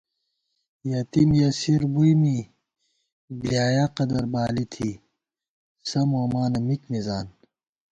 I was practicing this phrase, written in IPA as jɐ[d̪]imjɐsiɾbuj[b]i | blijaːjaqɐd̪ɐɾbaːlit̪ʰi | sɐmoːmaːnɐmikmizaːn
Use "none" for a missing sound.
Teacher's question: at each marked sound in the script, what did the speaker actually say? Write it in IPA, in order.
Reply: t̪, m

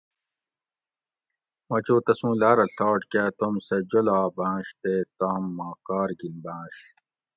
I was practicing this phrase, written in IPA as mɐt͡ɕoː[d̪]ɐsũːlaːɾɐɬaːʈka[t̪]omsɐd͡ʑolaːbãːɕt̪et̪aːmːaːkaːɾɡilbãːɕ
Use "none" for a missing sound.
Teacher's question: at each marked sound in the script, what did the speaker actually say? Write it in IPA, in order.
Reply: t̪, t̪

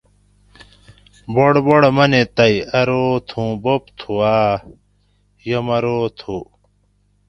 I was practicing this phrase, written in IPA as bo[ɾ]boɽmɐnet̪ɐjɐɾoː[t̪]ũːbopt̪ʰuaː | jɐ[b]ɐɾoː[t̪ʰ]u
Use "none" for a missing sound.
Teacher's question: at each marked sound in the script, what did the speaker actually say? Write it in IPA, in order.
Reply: ɽ, t̪ʰ, m, t̪ʰ

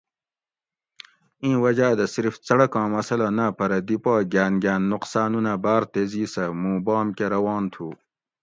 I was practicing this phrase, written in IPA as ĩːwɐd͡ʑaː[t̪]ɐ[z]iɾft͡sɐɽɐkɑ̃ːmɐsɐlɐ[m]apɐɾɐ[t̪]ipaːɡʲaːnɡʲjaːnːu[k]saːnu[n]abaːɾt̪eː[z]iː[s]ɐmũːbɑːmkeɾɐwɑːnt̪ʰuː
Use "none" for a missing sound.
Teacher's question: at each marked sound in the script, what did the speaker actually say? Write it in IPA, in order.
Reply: d̪, s, n, d̪, q, n, z, s

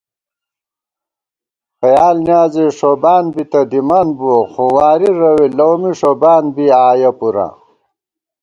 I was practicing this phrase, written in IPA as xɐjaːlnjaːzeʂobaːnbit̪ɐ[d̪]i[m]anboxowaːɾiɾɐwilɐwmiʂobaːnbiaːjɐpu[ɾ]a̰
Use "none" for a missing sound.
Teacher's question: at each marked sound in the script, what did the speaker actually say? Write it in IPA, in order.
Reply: d̪, m, ɾ

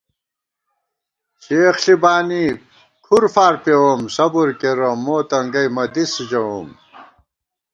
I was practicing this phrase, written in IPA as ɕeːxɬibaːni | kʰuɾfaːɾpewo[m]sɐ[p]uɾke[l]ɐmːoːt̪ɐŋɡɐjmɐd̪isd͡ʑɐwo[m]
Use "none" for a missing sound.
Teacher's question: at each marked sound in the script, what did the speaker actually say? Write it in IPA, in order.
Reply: m, b, ɾ, m

